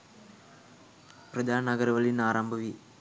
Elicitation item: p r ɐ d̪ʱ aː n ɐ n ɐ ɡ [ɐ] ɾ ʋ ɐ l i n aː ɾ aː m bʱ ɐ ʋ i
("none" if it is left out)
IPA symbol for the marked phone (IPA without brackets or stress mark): ɐ